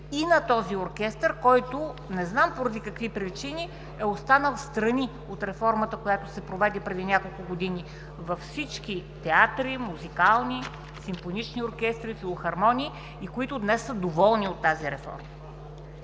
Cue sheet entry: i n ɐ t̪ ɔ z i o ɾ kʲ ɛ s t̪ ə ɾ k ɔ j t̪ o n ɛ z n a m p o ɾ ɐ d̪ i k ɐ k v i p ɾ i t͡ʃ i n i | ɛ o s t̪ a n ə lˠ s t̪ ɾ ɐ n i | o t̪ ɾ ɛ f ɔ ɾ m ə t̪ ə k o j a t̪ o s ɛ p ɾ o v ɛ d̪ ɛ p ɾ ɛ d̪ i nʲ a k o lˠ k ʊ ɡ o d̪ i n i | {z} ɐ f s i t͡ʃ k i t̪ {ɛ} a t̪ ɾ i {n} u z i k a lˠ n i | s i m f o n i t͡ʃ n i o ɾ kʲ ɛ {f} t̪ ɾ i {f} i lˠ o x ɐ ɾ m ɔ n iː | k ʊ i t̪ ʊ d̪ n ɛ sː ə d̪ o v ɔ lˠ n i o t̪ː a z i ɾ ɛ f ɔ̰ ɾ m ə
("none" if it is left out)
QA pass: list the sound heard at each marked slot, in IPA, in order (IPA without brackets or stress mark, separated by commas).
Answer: v, ɛ, m, s, f